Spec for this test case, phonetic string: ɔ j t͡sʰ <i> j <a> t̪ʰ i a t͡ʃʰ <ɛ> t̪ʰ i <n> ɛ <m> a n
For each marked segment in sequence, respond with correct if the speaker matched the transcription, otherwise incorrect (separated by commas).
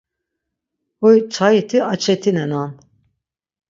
incorrect, incorrect, correct, correct, incorrect